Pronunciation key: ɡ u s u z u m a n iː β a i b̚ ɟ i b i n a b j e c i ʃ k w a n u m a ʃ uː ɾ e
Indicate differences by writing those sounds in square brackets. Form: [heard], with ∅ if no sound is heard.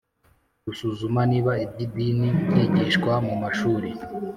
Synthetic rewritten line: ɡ u s u z u m a n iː β a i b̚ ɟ i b i n [i] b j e [ɟ] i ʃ k w a [m] u m a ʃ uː ɾ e